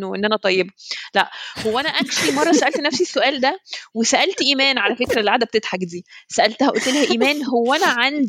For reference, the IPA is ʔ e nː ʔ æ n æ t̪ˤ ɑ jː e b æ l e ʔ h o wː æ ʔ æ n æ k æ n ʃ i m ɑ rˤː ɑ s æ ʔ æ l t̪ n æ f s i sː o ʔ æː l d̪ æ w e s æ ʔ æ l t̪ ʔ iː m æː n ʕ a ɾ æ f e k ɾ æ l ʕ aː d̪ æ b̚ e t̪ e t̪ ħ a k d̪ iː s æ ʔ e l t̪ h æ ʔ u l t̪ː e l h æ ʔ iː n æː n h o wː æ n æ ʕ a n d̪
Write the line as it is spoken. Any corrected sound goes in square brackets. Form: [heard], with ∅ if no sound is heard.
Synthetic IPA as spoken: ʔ e nː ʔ æ n æ t̪ˤ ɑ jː e b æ l [æ] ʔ h o wː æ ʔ æ n æ [ʔ] æ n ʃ i m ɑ rˤː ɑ s æ ʔ æ l t̪ n æ f s i sː o ʔ æː l d̪ æ w e s æ ʔ æ l t̪ ʔ iː m æː n ʕ a [l] æ f e k ɾ æ l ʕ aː d̪ æ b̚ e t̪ e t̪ ħ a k d̪ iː s æ ʔ [æ] l t̪ h æ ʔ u l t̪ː e l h æ ʔ iː [m] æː n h o wː æ n æ ʕ a n d̪